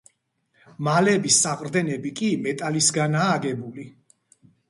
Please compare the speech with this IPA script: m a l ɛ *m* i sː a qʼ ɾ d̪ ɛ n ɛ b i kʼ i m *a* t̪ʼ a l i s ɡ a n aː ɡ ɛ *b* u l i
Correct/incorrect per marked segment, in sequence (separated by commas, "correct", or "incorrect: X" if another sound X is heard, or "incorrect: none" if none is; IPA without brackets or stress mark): incorrect: b, incorrect: ɛ, correct